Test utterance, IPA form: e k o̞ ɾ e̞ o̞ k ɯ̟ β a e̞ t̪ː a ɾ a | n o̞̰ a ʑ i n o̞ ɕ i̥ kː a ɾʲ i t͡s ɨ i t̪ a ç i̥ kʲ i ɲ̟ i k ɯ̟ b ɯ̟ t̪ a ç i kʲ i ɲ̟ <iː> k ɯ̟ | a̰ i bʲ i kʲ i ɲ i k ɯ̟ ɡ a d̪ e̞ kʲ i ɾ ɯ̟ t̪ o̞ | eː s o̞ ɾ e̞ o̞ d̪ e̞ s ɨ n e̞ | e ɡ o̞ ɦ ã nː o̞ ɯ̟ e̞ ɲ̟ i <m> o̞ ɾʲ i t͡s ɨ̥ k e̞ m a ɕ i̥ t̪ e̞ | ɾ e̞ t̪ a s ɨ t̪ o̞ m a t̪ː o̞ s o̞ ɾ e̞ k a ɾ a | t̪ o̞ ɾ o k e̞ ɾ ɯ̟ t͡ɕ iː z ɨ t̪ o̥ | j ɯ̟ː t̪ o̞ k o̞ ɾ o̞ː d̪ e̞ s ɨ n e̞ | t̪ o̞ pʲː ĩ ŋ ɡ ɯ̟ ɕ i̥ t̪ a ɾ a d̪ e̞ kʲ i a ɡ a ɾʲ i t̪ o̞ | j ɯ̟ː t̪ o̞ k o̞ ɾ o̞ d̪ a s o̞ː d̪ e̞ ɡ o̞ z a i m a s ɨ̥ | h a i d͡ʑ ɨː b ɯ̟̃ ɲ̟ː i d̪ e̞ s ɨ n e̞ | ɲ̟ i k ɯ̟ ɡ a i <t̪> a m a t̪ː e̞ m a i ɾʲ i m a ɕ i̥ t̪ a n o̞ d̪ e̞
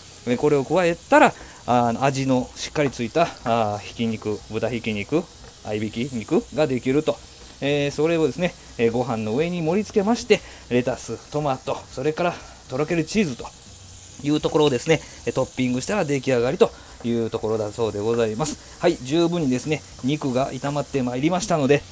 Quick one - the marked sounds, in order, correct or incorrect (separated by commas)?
incorrect, correct, correct